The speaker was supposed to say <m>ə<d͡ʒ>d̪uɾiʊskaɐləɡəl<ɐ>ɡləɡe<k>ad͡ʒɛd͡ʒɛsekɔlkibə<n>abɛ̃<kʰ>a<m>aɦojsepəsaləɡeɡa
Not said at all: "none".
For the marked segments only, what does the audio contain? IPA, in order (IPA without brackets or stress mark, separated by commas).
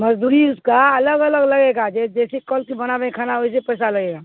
m, d͡ʒ, ə, ɡ, n, kʰ, n